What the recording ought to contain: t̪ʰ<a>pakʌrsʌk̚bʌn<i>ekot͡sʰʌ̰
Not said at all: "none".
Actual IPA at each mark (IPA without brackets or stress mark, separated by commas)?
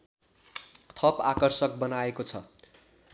ʌ, a